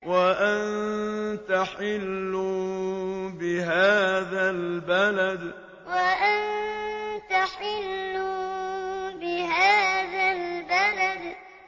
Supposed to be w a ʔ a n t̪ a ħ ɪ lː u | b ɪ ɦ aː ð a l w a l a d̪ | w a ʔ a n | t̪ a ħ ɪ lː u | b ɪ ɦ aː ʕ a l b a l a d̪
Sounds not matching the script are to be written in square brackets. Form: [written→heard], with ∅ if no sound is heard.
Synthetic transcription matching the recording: w a ʔ a n t̪ a ħ ɪ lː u | b ɪ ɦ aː ð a l [w→b] a l a d̪ | w a ʔ a n | t̪ a ħ ɪ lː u | b ɪ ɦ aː [ʕ→ð] a l b a l a d̪